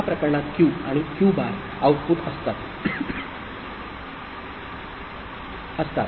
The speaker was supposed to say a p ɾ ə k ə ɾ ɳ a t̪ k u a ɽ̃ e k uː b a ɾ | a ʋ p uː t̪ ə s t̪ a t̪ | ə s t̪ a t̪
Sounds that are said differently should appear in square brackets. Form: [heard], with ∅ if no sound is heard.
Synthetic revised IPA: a p ɾ ə k ə ɾ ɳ a t̪ k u a ɽ̃ [i] k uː b a ɾ | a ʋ p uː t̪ ə s t̪ a t̪ | ə s t̪ a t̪